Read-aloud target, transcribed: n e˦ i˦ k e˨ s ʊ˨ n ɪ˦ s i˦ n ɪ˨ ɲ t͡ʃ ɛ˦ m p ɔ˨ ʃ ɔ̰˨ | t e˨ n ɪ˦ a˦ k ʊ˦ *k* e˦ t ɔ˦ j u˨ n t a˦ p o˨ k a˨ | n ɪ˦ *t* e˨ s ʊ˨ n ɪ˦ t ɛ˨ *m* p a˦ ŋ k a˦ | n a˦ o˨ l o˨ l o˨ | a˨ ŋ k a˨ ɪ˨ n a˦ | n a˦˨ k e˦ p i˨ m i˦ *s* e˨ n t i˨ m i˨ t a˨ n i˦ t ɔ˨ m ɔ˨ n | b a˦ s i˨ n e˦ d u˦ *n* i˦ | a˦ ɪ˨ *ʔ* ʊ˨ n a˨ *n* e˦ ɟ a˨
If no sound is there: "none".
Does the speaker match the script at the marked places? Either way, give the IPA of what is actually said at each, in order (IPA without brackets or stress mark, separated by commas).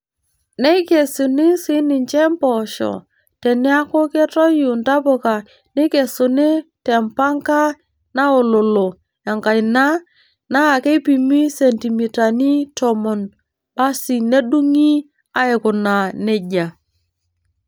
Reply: k, k, m, s, ŋ, k, n